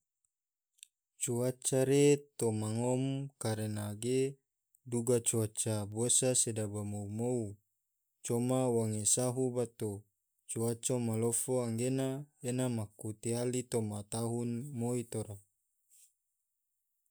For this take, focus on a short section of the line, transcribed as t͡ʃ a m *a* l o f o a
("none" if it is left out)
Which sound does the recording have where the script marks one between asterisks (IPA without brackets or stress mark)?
a